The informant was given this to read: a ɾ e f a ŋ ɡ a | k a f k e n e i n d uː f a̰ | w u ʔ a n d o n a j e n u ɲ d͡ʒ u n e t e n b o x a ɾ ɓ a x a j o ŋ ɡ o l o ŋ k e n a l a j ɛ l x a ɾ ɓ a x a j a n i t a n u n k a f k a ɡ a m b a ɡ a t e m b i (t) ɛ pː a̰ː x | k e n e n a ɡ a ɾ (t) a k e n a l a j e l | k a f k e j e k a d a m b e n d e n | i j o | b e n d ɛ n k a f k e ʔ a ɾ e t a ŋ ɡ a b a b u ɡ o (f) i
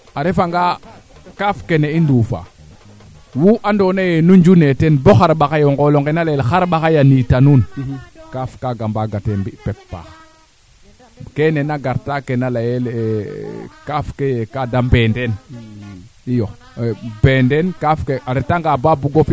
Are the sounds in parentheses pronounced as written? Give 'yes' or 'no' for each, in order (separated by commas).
no, yes, yes